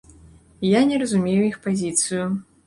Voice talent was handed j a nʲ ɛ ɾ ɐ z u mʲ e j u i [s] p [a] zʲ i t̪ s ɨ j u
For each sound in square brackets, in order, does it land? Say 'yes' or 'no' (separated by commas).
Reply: no, yes